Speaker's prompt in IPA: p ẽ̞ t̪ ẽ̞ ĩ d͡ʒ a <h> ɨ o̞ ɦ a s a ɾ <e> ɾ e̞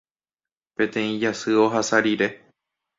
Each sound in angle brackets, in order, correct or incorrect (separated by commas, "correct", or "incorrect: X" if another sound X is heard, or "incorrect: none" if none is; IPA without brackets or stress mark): incorrect: s, incorrect: i